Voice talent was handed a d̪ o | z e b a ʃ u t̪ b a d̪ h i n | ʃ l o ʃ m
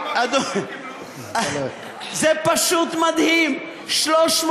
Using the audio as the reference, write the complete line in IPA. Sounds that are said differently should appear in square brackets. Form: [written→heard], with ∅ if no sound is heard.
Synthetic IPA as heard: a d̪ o | z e [b→p] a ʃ u t̪ [b→m] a d̪ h i [n→m] | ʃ l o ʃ m